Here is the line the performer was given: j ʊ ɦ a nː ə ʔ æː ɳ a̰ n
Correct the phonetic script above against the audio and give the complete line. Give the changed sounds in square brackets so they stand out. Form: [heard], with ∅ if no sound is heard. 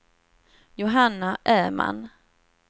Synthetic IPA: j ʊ ɦ a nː [a] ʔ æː [m] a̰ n